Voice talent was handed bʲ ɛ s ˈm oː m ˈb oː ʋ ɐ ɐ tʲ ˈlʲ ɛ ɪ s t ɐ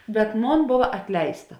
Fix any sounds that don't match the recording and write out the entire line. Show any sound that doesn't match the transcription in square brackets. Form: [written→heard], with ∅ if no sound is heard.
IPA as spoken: bʲ ɛ [s→t] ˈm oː [m→n] ˈb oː ʋ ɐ ɐ tʲ ˈlʲ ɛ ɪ s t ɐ